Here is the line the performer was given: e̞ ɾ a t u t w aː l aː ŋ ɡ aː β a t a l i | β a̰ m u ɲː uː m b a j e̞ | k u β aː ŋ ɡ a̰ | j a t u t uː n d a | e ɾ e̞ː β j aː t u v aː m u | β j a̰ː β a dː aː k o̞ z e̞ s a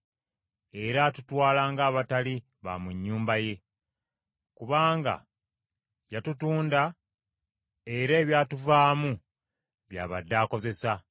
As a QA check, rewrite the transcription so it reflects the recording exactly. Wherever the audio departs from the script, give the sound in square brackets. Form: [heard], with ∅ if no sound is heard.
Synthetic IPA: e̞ ɾ a t u t w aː l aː ŋ ɡ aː β a t a l i | β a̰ m u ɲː uː m b a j e̞ | k u β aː ŋ ɡ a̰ | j a t u t uː n d a | e ɾ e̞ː β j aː t u v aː m u | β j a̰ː β a dː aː k o̞ z e̞ s a